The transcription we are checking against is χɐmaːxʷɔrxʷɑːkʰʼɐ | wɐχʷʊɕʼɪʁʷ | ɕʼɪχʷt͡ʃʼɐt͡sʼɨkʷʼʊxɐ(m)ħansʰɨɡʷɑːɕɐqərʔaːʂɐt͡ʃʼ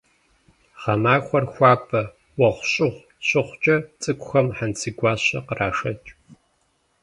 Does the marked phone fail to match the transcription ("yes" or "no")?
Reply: no